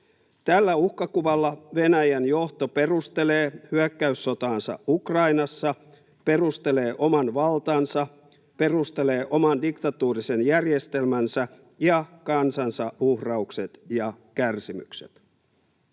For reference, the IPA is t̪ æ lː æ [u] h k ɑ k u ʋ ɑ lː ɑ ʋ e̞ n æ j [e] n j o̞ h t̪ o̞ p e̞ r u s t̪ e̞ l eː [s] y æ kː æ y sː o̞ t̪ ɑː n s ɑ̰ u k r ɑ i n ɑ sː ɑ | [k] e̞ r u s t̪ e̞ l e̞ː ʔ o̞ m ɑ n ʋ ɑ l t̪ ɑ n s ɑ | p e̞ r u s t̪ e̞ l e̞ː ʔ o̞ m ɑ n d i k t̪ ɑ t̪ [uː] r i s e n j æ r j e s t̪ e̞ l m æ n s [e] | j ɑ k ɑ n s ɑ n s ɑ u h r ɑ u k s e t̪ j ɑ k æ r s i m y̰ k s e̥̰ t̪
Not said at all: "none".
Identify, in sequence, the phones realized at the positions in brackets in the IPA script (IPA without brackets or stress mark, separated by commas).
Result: u, æ, h, p, uː, æ